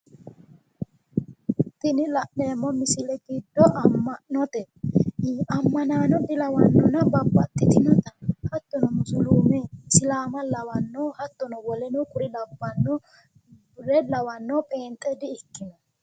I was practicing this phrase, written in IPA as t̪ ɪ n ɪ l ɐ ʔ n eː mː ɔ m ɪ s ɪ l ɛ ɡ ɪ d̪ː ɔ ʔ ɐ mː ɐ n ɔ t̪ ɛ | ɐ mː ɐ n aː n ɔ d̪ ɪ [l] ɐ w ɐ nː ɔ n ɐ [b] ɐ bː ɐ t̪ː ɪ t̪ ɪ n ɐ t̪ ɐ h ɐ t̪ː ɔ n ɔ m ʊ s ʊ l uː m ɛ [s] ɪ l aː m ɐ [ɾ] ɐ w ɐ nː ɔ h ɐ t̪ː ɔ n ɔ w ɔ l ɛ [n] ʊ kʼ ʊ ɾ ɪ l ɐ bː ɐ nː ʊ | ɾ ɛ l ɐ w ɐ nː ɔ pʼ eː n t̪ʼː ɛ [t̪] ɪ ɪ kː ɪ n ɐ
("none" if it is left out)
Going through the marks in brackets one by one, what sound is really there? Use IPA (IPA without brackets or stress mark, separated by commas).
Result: l, b, s, l, n, d̪